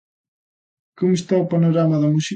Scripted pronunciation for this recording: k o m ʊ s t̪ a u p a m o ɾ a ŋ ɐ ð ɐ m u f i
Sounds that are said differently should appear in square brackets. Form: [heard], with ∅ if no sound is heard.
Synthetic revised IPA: k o m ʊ s t̪ a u p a [n] o ɾ a [m] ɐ ð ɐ m u [s] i